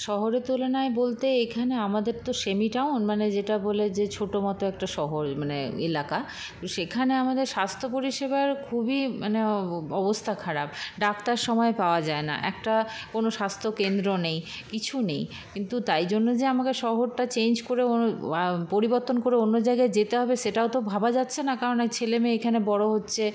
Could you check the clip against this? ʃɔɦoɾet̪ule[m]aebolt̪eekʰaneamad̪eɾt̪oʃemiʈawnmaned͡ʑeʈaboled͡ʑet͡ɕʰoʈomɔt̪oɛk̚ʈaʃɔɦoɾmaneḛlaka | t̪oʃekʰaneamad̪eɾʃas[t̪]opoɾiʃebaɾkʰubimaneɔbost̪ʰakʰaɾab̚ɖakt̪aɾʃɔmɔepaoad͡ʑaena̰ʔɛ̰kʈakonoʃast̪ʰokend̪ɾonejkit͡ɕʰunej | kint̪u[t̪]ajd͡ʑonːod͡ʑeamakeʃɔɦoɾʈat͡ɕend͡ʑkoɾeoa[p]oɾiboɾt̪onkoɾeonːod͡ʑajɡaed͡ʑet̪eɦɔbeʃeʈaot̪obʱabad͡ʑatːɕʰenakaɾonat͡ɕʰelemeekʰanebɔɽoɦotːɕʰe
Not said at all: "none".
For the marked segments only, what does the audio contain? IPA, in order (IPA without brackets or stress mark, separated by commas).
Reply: n, t̪ʰ, t̪, p